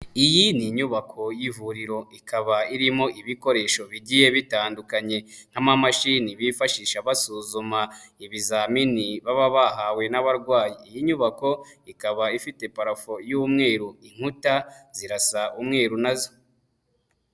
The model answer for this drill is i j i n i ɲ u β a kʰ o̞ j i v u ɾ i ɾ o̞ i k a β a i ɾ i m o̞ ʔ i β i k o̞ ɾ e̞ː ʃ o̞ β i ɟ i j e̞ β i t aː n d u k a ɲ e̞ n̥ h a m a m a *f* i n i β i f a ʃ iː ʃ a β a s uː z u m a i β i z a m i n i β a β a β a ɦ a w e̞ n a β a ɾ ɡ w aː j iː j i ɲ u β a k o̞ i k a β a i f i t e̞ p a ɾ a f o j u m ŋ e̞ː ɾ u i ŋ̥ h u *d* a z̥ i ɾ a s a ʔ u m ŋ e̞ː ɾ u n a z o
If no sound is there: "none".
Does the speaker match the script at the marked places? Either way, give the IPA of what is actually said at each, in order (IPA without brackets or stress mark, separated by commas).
ʃ, t